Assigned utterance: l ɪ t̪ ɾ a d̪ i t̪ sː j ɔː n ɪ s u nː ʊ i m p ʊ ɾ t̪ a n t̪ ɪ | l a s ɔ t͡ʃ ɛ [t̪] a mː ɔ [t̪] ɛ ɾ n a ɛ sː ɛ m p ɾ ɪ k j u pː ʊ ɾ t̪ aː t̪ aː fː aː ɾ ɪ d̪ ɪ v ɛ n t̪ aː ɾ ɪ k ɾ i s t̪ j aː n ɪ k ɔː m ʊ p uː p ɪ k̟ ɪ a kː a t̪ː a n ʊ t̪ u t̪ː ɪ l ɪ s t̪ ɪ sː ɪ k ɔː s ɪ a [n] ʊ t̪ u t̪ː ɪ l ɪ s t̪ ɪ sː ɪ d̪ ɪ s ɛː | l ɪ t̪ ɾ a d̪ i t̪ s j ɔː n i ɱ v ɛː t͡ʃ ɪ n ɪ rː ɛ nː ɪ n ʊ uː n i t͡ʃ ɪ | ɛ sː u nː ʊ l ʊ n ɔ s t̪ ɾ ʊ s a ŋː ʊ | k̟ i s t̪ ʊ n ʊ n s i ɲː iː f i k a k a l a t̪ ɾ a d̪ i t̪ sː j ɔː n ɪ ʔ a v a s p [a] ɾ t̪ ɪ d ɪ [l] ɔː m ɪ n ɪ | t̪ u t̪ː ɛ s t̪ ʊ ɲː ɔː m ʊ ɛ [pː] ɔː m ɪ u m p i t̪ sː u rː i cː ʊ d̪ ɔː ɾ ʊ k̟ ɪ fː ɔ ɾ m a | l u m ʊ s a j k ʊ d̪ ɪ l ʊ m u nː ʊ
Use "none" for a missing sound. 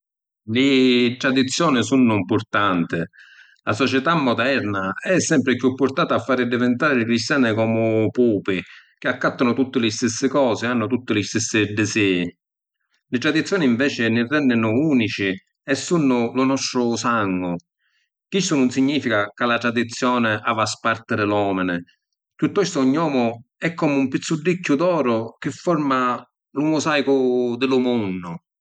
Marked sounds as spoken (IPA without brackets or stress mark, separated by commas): t̪, d̪, nː, a, l, kː